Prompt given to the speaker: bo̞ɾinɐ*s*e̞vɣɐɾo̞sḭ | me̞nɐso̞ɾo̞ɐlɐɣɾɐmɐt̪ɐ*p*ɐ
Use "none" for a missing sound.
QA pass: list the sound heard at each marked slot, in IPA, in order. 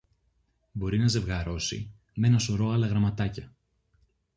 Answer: z, c

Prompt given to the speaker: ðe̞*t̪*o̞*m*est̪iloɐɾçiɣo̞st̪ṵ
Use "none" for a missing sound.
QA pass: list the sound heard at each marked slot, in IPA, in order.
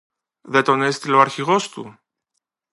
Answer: t̪, n

